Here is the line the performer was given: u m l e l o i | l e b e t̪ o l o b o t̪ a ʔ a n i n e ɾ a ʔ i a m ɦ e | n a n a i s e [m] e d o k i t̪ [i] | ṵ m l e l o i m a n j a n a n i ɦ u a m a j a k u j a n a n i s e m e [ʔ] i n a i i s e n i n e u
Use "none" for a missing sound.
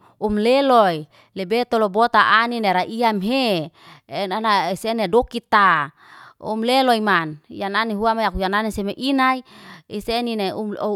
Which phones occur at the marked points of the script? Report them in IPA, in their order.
n, a, ʔ

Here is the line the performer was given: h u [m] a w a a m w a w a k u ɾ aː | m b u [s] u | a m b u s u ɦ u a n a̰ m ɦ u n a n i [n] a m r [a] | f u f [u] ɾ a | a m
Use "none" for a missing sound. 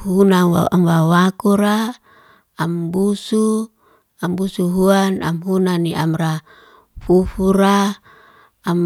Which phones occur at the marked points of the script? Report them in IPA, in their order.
n, s, none, a, u

